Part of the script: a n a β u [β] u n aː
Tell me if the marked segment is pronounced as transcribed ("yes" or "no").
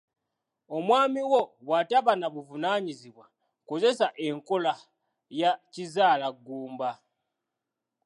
no